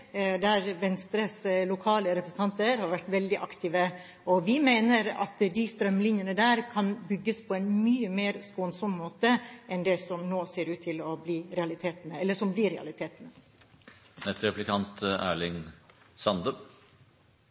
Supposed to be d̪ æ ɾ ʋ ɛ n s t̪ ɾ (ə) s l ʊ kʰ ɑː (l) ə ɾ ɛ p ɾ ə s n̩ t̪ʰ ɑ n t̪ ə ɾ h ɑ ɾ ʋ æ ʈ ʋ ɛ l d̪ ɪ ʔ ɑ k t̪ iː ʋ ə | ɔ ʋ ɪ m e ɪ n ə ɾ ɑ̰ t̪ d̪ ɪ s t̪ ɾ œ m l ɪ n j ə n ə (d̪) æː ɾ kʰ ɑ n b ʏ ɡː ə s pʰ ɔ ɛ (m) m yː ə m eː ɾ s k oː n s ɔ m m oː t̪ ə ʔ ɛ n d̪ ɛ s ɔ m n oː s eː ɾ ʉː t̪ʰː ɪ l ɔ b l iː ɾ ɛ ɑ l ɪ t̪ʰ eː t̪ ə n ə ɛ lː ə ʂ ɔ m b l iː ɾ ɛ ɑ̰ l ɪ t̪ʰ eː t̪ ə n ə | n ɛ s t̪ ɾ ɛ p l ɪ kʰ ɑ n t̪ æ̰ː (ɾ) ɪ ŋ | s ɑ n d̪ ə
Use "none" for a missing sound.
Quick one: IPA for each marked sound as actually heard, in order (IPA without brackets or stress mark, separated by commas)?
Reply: ə, l, d̪, n, ɭ